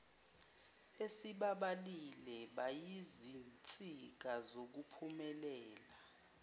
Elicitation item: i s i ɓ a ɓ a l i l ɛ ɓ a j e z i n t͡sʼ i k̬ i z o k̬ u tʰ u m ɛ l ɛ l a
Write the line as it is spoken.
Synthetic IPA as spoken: e s i ɓ a ɓ a l i l ɛ ɓ a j i z i n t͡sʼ i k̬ a z o k̬ u pʰ u m ɛ l ɛː l a